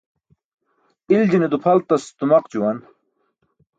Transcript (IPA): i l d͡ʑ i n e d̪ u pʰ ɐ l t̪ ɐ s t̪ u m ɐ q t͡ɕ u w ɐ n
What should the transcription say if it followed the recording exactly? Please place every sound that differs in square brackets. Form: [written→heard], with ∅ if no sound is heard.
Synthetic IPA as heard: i l d͡ʑ i n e d̪ u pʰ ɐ l t̪ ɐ s t̪ u m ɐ q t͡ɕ u w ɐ n